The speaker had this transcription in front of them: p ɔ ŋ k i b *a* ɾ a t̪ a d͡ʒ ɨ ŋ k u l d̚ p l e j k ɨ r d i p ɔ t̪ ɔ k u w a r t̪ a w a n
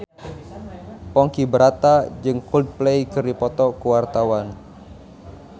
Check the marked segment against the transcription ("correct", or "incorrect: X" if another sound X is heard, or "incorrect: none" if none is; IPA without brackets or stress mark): incorrect: ə